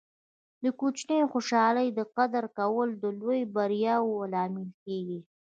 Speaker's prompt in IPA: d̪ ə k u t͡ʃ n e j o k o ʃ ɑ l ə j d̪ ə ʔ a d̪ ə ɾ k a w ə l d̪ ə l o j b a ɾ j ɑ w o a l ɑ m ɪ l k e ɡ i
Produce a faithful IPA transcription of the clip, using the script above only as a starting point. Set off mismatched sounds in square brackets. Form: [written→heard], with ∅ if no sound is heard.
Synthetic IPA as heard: d̪ ə k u t͡ʃ n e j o [k→x] o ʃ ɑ l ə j d̪ ə [ʔ→q] a d̪ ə ɾ k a w ə l d̪ ə l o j b a ɾ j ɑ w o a l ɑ m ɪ l k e ɡ i

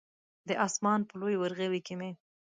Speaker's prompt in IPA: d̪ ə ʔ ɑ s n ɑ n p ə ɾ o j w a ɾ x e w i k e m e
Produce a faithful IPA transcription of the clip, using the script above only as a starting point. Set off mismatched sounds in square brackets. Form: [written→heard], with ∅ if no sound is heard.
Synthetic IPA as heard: d̪ ə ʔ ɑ s [n→m] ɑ n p ə [ɾ→l] o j w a ɾ [x→ɣ] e w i k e m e

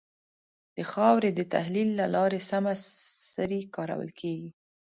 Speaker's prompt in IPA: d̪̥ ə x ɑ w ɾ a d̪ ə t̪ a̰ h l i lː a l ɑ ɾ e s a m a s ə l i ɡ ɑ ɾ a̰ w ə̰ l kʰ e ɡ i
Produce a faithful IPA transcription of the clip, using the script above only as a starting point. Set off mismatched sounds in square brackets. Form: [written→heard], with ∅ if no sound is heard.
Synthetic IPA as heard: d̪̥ ə x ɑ w ɾ [a→e] d̪ ə t̪ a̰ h l i lː a l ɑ ɾ e s a m a s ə [l→ɾ] i [ɡ→k] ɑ ɾ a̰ w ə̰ l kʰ e ɡ i

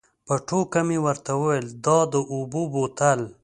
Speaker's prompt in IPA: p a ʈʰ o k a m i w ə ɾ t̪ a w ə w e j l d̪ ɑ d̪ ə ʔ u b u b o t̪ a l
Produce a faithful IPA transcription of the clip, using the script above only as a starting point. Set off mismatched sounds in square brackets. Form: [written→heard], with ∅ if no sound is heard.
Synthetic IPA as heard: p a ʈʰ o k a m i w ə ɾ t̪ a w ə w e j l d̪ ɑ d̪ ə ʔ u b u b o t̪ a l

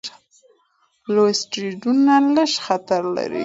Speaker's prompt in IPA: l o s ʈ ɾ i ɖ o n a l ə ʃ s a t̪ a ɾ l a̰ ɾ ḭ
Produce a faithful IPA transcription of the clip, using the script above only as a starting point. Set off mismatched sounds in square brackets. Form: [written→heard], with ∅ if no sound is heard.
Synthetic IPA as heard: l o s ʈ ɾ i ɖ [o→u] n a l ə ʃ [s→x] a t̪ a ɾ l a̰ ɾ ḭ

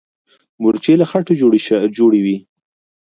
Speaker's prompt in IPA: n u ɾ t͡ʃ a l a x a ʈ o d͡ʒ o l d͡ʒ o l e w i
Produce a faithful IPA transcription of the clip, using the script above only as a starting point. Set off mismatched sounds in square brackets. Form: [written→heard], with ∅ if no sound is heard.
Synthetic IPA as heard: [n→m] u ɾ t͡ʃ [a→e] l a x a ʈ o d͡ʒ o [l→ɽ] d͡ʒ o [l→ɽ] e w i

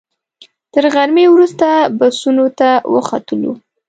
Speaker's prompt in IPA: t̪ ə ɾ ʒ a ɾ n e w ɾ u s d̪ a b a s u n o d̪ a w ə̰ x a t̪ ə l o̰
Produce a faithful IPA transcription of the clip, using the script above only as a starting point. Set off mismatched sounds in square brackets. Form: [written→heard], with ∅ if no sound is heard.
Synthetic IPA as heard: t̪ ə ɾ [ʒ→ɣ] a ɾ [n→m] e w ɾ u s [d̪→t̪] a b a s u n o [d̪→t̪] a w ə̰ x a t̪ ə l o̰

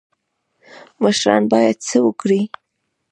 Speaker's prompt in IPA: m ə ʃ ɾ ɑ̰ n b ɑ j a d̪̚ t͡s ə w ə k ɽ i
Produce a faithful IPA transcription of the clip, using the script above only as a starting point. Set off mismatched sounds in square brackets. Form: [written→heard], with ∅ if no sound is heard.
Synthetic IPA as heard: m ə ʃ ɾ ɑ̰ n b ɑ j a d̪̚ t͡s ə w ə k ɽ i

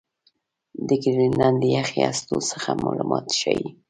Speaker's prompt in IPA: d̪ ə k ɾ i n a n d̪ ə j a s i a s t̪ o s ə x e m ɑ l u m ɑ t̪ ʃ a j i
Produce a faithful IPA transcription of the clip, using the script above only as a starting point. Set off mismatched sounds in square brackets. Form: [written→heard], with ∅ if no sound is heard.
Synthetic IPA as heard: d̪ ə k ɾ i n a n d̪ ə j a [s→x] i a s t̪ o s ə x [e→a] m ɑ l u m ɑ t̪ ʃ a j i

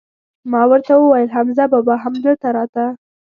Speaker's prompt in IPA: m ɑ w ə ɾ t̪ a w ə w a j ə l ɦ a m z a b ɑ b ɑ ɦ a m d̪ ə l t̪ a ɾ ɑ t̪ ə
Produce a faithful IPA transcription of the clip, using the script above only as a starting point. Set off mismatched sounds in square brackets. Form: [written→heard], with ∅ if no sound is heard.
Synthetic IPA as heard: m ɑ w ə ɾ t̪ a w ə w a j ə l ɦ a m z a b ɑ b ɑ ɦ a m d̪ ə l t̪ a ɾ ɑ t̪ [ə→a]

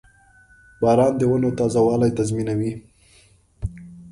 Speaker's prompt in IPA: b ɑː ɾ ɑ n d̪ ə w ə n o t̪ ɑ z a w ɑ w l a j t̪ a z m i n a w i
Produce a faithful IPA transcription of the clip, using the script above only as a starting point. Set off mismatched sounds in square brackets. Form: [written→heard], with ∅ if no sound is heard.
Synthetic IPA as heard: b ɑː ɾ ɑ n d̪ ə w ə n o t̪ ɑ z a w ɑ [w→∅] l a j t̪ a z m i n a w i

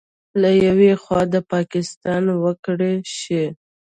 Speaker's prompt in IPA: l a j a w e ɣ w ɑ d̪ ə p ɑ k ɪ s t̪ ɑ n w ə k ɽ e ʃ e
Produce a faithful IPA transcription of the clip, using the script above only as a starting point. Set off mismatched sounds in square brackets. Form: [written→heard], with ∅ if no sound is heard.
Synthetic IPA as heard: l a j a w e [ɣ→x] w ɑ d̪ ə p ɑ k ɪ s t̪ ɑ n w ə k ɽ e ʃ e

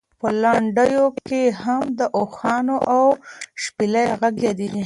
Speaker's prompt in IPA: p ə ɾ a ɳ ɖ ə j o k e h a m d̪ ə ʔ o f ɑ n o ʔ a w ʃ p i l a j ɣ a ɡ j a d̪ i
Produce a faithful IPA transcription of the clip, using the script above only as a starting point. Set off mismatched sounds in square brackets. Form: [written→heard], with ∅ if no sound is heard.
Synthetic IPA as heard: p ə [ɾ→l] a ɳ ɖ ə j o k e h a m d̪ ə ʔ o [f→x] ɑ n o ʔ a w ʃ p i l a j ɣ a ɡ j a d̪ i

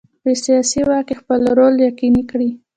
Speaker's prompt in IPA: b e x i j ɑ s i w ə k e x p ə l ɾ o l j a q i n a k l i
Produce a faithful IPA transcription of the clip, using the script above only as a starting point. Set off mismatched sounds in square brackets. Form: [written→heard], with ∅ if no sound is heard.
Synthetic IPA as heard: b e [x→s] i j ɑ s i w [ə→ɑ] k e x p ə l ɾ o l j a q i n [a→i] k [l→ɽ] i

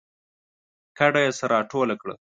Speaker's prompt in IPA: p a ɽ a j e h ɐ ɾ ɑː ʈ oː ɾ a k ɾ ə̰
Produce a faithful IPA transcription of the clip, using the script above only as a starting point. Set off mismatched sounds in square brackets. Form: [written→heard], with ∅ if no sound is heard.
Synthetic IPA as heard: [p→k] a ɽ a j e [h→s] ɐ ɾ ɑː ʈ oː [ɾ→l] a k [ɾ→ɽ] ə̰

